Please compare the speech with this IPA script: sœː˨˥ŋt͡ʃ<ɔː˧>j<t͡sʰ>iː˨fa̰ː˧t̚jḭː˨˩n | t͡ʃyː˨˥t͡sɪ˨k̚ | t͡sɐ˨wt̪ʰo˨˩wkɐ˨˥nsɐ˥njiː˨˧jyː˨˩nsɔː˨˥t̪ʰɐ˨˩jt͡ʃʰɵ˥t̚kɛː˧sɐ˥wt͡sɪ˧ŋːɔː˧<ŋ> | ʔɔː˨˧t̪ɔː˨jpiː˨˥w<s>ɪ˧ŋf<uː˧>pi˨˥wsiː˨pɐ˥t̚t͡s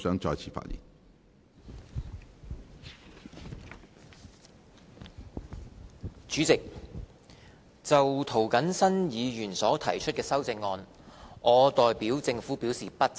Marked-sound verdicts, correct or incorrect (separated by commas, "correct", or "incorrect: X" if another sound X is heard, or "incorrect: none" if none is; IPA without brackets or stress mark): correct, correct, incorrect: n, incorrect: t͡s, incorrect: uː˨˥